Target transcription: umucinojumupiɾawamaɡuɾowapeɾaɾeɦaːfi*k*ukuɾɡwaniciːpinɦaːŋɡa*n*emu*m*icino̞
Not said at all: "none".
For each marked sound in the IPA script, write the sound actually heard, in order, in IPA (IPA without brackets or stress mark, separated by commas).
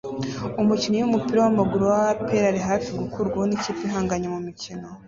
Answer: ɡ, ɲ, m